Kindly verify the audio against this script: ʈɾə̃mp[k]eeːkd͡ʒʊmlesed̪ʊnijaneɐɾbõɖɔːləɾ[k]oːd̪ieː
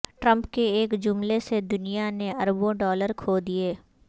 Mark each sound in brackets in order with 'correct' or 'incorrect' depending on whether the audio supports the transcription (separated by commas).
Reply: correct, incorrect